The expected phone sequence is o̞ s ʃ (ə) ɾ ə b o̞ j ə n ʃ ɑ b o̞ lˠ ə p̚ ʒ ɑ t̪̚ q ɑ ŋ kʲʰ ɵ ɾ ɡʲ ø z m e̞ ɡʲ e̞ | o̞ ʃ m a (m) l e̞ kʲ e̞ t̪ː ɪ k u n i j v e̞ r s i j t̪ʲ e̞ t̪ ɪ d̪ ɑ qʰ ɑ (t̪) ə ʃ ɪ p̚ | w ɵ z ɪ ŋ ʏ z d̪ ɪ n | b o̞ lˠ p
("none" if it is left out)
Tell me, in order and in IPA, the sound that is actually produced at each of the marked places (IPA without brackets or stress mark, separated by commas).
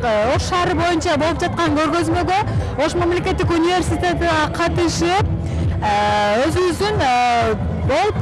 ɑ, m, t̪